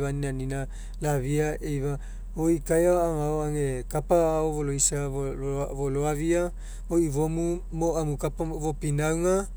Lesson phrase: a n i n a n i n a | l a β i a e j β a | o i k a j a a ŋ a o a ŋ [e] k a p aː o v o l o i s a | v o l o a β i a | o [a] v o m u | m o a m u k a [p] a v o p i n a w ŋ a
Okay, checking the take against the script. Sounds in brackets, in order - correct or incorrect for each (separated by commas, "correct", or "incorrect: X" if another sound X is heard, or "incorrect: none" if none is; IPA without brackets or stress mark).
correct, incorrect: i, correct